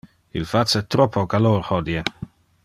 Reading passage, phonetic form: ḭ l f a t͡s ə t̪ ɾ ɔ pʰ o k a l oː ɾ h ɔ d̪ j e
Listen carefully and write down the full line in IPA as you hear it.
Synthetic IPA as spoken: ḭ l f a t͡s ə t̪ ɾ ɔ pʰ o k a l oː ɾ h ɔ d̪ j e